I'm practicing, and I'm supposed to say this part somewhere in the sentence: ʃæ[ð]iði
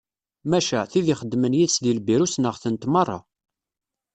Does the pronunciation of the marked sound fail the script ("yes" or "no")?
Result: yes